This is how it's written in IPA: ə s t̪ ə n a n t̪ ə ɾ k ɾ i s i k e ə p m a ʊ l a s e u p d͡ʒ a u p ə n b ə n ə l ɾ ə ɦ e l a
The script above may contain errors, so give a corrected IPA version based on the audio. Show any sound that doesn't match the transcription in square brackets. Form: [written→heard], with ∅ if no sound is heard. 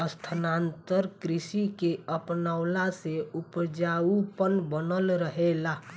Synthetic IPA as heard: ə s [t̪→t̪ʰ] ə n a n t̪ ə ɾ k ɾ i s i k e ə p [m→n] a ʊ l a s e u p d͡ʒ a u p ə n b ə n ə l ɾ ə ɦ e l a